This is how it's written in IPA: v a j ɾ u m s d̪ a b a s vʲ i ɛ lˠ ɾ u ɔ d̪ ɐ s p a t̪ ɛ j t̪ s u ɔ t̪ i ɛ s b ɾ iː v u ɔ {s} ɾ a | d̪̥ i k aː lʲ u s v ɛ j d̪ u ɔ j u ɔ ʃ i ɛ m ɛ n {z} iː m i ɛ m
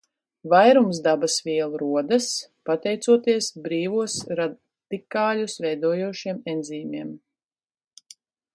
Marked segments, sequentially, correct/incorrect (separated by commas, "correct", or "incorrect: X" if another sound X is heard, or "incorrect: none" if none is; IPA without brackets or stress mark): correct, correct